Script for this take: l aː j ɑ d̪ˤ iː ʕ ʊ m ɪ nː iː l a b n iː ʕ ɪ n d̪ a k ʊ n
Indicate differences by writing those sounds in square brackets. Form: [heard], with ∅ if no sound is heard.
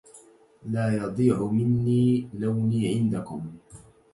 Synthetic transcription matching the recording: l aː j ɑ d̪ˤ iː ʕ ʊ m ɪ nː iː l a [w] n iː ʕ ɪ n d̪ a k ʊ [m]